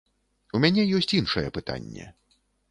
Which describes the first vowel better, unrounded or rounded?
rounded